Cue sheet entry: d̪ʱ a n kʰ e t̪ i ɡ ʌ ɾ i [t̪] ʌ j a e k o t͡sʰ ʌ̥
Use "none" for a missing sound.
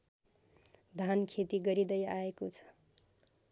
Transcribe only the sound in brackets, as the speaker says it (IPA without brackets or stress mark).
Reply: d̪